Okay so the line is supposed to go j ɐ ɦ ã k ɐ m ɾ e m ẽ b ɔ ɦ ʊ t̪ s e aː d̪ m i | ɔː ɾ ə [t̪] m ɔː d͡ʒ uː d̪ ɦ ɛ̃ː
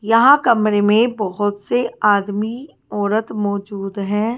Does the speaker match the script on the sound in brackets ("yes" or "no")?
yes